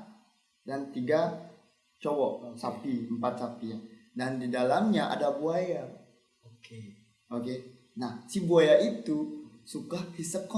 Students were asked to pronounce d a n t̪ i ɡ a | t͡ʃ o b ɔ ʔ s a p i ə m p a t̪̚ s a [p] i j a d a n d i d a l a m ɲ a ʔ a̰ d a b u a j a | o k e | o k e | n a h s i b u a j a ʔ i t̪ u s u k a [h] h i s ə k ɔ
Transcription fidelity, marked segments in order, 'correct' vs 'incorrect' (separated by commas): correct, correct